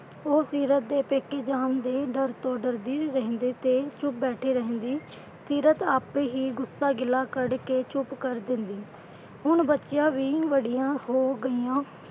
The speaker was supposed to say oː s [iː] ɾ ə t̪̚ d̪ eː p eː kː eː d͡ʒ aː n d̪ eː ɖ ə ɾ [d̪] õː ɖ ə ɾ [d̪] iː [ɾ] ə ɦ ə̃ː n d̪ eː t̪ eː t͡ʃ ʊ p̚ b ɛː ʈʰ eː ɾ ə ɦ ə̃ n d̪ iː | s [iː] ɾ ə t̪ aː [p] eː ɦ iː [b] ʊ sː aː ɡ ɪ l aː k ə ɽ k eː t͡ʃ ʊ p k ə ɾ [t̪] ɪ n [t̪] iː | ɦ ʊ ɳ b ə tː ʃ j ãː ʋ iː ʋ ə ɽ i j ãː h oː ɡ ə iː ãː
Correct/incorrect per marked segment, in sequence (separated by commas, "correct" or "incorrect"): correct, incorrect, correct, correct, correct, correct, incorrect, incorrect, incorrect